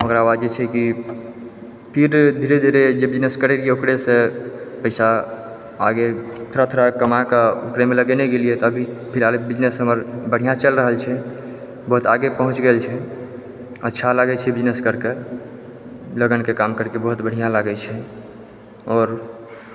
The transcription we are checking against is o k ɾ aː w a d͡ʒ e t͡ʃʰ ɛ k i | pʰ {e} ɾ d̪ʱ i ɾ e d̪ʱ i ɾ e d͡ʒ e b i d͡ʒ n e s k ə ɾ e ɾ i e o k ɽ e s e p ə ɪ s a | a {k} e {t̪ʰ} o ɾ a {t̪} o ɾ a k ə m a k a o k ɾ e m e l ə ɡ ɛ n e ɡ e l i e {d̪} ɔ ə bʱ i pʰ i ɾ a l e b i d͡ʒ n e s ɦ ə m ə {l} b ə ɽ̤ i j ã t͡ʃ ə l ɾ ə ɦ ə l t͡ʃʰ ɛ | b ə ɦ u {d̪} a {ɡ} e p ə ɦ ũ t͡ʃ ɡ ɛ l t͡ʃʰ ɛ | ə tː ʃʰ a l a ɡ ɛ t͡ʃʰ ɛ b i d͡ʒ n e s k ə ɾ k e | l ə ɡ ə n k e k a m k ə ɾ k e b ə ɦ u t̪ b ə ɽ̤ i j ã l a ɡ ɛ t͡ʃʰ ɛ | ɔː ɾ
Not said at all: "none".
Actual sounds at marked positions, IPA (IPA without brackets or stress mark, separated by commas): i, ɡ, t̪ʰ, t̪ʰ, t̪, ɾ, t̪, ɡ